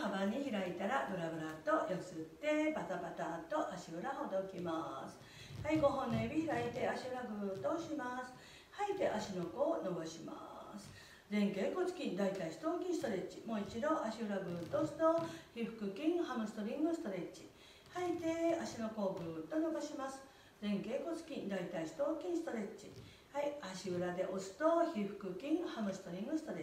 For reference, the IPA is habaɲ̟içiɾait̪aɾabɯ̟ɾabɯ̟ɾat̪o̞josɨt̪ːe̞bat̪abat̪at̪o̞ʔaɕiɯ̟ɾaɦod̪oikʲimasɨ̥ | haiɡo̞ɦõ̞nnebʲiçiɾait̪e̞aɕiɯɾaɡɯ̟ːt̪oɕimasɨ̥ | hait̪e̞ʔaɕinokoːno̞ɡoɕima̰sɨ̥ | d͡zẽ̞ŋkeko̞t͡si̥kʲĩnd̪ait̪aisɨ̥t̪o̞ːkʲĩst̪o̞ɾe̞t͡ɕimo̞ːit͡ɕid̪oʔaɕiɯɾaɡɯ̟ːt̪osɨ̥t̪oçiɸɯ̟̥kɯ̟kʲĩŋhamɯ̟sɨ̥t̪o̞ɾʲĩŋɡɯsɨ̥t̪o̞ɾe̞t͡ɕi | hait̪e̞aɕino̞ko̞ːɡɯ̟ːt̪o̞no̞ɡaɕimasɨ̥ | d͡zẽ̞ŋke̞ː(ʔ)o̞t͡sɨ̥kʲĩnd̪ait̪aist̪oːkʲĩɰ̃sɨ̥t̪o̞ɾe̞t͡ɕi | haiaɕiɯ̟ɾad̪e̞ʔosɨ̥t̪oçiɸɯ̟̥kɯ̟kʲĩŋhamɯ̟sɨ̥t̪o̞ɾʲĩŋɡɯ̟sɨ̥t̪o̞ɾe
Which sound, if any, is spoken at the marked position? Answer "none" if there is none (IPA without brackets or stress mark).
k